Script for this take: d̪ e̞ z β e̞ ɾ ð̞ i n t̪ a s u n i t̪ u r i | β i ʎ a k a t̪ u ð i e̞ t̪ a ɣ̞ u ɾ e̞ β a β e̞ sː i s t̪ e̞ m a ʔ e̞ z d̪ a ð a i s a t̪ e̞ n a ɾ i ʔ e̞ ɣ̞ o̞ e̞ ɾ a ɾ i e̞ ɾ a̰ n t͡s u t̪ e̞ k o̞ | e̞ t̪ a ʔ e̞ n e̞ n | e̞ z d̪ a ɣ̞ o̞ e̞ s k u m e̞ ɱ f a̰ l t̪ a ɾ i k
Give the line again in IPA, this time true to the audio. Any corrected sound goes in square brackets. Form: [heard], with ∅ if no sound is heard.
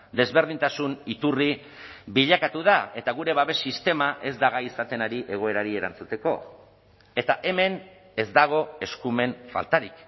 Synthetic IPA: d̪ e̞ z β e̞ ɾ ð̞ i n t̪ a s u n i t̪ u r i | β i ʎ a k a t̪ u ð [a] e̞ t̪ a ɣ̞ u ɾ e̞ β a β e̞ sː i s t̪ e̞ m a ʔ e̞ z d̪ a [ɣ] a i s a t̪ e̞ n a ɾ i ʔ e̞ ɣ̞ o̞ e̞ ɾ a ɾ i e̞ ɾ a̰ n t͡s u t̪ e̞ k o̞ | e̞ t̪ a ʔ e̞ [m] e̞ n | e̞ z d̪ a ɣ̞ o̞ e̞ s k u m e̞ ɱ f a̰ l t̪ a ɾ i k